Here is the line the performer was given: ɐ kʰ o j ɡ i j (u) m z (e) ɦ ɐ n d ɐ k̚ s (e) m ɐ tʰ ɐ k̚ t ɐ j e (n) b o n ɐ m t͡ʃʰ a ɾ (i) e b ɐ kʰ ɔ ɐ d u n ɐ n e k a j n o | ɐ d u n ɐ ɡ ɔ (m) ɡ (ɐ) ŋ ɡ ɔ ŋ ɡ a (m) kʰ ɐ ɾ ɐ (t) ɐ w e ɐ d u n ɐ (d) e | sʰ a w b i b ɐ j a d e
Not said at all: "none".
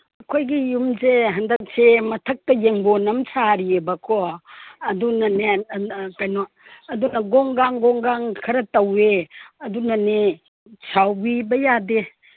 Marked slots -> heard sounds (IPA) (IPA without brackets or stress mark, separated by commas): u, e, e, ŋ, i, ŋ, a, ŋ, t, n